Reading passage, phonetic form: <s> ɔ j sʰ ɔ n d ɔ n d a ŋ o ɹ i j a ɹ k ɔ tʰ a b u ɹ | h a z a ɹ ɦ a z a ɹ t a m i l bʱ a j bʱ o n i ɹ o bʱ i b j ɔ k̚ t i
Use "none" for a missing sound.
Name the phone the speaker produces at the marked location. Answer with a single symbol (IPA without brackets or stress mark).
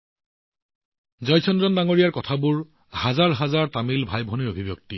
z